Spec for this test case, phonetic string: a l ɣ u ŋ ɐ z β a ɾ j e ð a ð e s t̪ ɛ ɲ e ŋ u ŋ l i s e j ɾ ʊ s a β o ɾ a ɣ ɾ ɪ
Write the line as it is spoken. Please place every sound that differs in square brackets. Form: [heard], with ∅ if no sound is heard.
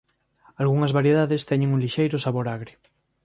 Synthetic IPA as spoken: a l ɣ u ŋ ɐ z β a ɾ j e ð a ð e s t̪ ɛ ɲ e ŋ u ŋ l i [ʃ] e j ɾ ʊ s a β o ɾ a ɣ ɾ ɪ